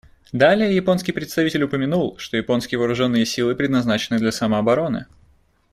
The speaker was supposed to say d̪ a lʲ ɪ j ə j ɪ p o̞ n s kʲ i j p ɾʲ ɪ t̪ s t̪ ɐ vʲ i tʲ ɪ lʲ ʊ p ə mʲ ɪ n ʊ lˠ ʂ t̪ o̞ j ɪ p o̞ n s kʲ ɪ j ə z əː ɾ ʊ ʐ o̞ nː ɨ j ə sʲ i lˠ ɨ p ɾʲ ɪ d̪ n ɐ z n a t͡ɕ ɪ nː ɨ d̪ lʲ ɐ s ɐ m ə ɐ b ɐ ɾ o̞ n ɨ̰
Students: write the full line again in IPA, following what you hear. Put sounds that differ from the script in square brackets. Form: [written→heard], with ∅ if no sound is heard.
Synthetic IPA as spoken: d̪ a lʲ ɪ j ə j ɪ p o̞ n s kʲ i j p ɾʲ ɪ t̪ s t̪ ɐ vʲ i tʲ ɪ lʲ ʊ p ə mʲ ɪ n [ʊ→u] lˠ ʂ t̪ o̞ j ɪ p o̞ n s kʲ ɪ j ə [z→v] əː ɾ ʊ ʐ o̞ nː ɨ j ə sʲ i lˠ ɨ p ɾʲ ɪ d̪ n ɐ z n a t͡ɕ ɪ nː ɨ d̪ lʲ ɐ s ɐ m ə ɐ b ɐ ɾ o̞ n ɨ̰